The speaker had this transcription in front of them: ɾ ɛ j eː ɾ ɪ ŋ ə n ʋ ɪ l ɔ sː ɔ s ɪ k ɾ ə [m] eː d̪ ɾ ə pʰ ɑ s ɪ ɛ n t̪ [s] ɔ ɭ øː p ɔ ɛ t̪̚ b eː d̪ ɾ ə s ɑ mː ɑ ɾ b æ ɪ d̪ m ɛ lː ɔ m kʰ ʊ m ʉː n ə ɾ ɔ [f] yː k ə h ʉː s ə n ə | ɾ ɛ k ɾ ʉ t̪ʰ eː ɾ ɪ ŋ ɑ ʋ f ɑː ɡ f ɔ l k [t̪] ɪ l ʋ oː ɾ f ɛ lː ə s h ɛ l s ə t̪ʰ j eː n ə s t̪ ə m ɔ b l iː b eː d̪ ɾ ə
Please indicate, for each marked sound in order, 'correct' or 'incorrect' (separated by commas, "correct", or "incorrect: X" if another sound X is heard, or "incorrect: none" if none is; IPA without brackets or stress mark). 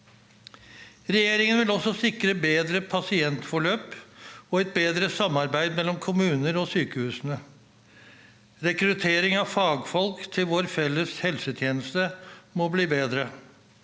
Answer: incorrect: b, incorrect: f, incorrect: s, incorrect: t̪ʰ